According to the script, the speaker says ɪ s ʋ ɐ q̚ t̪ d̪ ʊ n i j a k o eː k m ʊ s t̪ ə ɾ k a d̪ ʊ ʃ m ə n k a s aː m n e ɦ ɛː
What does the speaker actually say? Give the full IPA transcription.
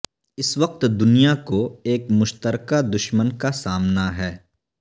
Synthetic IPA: ɪ s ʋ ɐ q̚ t̪ d̪ ʊ n i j a k o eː k m ʊ ʃ t̪ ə ɾ k a d̪ ʊ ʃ m ə n k a s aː m n a ɦ ɛː